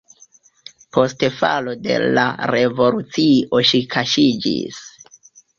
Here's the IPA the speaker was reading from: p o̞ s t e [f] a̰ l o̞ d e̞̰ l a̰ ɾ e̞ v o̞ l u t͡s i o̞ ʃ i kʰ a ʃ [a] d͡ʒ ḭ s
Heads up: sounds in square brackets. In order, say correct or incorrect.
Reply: correct, incorrect

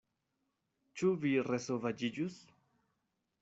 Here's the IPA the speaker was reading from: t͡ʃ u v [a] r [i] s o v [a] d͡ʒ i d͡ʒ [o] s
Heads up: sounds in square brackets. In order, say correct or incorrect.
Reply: incorrect, incorrect, correct, incorrect

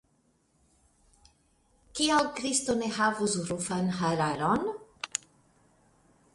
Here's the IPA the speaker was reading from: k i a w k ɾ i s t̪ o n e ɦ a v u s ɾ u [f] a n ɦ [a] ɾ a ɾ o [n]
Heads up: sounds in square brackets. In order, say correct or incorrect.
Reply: correct, correct, correct

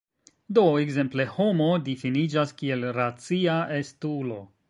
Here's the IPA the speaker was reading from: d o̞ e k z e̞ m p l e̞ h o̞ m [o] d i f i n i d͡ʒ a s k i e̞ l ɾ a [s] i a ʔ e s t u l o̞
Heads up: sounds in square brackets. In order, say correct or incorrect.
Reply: correct, incorrect

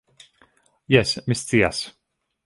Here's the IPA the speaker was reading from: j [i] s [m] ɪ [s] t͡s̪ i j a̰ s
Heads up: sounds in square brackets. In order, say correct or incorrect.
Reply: incorrect, correct, correct

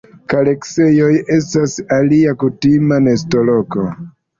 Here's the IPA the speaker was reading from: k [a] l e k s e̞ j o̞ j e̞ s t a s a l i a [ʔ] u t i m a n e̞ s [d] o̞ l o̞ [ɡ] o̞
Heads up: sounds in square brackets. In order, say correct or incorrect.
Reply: correct, incorrect, incorrect, incorrect

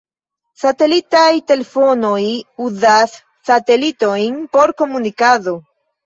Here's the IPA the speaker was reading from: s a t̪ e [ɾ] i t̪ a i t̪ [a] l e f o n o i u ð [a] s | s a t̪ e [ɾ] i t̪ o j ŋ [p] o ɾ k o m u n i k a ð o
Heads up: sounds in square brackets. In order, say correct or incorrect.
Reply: incorrect, incorrect, correct, incorrect, correct

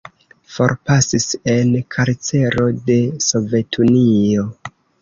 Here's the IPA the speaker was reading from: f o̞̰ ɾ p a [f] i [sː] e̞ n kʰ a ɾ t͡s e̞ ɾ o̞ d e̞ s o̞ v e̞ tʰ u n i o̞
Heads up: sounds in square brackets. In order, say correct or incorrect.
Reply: incorrect, incorrect

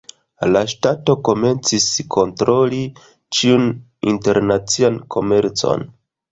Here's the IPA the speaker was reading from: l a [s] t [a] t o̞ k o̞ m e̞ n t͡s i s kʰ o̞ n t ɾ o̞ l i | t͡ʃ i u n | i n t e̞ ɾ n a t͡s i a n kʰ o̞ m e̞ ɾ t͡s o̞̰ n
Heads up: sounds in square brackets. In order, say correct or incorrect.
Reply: incorrect, correct

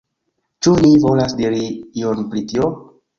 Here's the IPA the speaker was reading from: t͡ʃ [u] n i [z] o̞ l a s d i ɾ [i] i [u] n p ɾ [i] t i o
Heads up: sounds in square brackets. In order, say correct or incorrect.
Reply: correct, incorrect, correct, incorrect, correct

